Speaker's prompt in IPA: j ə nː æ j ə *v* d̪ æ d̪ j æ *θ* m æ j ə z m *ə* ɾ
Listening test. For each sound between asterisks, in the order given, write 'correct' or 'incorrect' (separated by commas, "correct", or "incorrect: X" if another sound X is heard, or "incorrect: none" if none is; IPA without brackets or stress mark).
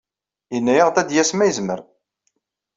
incorrect: ʁ, incorrect: s, correct